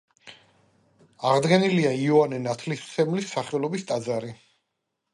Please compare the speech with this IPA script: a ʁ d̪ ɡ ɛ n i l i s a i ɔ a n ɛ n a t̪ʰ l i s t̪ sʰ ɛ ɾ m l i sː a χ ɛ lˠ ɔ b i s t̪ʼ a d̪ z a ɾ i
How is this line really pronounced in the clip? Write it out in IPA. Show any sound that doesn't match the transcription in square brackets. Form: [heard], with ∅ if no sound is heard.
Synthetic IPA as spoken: a ʁ d̪ ɡ ɛ n i l i [∅] a i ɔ a n ɛ n a t̪ʰ l i s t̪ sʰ ɛ [∅] m l i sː a χ ɛ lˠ ɔ b i s t̪ʼ a d̪ z a ɾ i